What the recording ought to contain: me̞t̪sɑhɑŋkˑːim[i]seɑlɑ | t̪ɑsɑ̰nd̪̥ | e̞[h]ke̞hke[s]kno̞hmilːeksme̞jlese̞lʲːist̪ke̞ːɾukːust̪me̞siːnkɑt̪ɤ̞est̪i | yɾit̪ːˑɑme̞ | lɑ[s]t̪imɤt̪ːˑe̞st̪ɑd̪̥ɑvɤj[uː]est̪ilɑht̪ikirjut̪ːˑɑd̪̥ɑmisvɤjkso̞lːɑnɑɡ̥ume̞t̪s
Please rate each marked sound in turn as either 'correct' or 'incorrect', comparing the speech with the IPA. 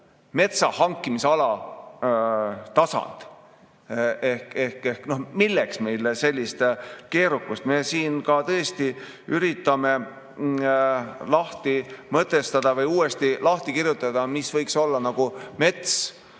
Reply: correct, correct, incorrect: h, incorrect: h, correct

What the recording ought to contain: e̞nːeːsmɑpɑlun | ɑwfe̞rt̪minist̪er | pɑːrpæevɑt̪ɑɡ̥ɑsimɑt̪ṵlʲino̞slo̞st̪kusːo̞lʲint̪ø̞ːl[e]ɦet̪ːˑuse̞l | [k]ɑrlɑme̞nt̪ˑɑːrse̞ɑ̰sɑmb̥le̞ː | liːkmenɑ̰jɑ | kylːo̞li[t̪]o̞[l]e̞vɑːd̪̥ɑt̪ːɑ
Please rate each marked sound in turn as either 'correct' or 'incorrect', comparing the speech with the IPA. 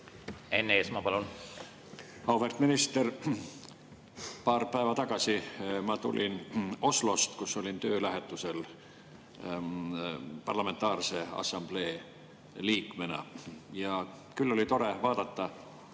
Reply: incorrect: æ, incorrect: p, correct, incorrect: ɾ

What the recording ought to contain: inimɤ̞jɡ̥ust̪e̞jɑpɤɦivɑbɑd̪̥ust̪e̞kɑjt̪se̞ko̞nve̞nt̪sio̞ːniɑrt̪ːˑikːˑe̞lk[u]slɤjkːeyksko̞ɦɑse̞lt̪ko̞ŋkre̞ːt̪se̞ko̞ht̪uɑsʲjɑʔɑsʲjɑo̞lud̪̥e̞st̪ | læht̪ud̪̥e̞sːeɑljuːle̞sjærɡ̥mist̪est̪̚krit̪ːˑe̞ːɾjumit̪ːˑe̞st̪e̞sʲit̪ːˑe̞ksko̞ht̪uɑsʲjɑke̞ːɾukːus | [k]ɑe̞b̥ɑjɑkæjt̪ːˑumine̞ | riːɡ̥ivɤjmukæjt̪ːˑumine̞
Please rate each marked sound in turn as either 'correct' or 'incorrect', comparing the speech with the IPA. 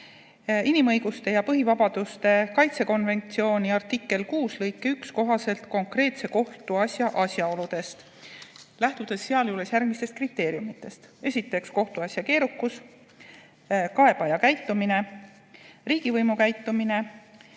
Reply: incorrect: uː, correct

